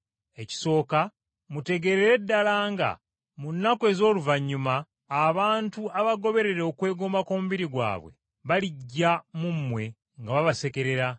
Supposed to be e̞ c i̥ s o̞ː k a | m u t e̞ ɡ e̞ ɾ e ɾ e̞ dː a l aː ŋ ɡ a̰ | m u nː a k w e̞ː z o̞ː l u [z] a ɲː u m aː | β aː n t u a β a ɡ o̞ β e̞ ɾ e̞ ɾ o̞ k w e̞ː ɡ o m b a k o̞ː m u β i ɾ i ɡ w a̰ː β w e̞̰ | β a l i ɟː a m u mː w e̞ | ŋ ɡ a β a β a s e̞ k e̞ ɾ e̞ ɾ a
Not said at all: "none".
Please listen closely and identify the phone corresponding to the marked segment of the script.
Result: v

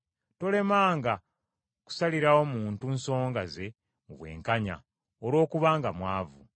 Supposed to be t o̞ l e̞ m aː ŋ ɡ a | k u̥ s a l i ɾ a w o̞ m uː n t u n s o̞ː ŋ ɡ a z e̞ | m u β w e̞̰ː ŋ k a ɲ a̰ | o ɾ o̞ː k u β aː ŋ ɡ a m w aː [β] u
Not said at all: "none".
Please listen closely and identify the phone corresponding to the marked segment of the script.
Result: v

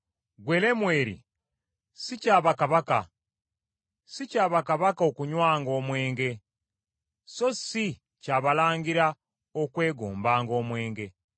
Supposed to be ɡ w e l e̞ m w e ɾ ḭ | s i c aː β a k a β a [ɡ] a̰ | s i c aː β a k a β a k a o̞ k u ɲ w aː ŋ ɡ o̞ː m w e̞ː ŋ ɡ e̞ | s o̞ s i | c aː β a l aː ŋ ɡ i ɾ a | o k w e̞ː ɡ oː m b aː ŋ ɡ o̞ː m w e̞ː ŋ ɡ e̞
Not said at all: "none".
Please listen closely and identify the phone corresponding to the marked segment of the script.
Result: k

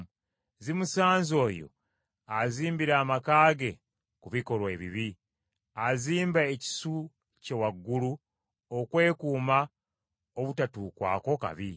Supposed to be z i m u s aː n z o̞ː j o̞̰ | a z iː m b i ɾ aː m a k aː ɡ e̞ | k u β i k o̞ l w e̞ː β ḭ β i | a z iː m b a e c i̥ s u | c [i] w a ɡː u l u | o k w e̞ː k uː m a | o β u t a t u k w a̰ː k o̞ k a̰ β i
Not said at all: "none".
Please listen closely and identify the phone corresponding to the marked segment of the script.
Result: e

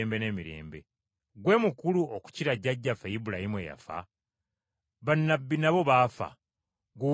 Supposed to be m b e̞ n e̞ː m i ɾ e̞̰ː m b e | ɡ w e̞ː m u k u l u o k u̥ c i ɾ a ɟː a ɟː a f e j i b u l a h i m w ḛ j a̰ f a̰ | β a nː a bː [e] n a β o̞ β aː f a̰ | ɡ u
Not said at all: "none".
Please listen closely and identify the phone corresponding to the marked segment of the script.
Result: i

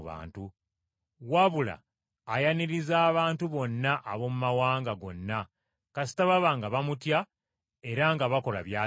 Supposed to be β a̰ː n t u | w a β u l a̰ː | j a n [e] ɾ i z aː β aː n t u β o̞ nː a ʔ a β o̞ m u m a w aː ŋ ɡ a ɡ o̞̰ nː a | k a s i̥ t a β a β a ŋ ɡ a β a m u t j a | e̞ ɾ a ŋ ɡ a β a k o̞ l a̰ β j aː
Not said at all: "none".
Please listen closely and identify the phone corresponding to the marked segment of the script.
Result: i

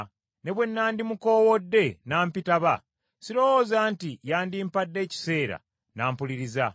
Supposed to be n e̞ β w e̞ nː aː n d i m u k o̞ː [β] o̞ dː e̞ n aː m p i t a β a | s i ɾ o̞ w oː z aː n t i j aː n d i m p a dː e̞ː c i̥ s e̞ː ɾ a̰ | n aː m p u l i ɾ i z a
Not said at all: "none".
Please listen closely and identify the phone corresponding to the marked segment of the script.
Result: w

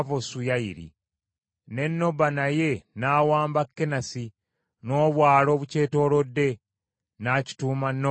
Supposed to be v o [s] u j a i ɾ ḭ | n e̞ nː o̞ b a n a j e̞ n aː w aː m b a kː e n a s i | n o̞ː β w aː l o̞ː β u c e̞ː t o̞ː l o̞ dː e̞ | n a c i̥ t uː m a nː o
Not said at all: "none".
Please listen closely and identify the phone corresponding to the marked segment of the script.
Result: s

